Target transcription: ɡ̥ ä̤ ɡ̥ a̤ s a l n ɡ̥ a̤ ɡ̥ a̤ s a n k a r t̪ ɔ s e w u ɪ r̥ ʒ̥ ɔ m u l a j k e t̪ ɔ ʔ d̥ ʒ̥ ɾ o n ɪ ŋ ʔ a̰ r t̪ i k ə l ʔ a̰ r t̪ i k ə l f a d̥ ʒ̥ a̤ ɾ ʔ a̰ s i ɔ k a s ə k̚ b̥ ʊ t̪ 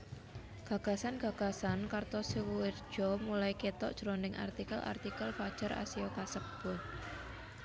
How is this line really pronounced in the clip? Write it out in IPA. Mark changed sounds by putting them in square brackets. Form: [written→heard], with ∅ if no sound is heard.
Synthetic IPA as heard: ɡ̥ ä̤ ɡ̥ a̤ s a [l→∅] n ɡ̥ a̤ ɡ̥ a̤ s a n k a r t̪ ɔ s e w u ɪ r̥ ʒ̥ ɔ m u l a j k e t̪ ɔ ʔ d̥ ʒ̥ ɾ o n ɪ ŋ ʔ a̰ r t̪ i k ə l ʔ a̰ r t̪ i k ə l f a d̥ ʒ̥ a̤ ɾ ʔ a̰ s i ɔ k a s ə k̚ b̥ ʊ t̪